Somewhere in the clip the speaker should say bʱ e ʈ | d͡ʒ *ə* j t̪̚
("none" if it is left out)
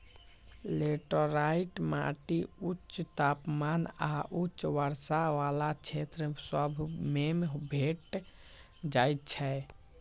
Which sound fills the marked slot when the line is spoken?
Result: a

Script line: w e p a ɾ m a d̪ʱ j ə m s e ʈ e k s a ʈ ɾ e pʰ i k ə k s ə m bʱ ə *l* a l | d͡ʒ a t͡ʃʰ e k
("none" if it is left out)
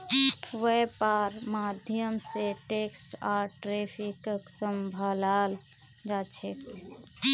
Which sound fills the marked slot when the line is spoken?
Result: l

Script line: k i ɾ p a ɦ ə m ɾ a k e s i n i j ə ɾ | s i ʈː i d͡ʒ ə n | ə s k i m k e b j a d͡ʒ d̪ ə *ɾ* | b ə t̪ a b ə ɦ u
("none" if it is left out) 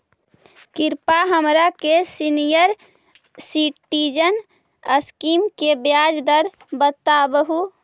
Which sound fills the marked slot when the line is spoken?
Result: ɾ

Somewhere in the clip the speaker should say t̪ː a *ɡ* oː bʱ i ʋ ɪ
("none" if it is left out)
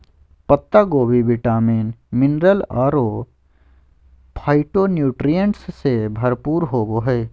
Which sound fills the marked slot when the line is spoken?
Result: ɡ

